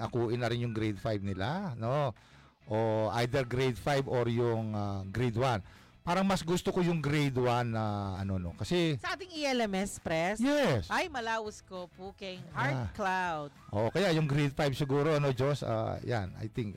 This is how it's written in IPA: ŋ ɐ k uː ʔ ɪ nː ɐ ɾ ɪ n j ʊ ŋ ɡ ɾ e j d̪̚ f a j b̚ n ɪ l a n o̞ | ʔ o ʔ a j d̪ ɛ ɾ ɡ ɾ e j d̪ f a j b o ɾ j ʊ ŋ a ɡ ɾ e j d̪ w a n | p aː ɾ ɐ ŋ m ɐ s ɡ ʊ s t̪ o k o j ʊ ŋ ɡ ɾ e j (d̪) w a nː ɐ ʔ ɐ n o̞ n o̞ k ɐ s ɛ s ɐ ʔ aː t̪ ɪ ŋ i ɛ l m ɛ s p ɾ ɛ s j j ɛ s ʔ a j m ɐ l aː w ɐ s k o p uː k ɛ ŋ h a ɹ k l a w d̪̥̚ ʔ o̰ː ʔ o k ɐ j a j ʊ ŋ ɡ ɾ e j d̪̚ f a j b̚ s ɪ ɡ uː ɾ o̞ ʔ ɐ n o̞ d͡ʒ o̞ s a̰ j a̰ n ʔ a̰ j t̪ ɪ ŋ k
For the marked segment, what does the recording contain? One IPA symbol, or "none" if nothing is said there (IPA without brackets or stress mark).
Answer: d̪